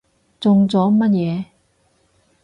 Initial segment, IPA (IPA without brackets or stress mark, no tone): t͡s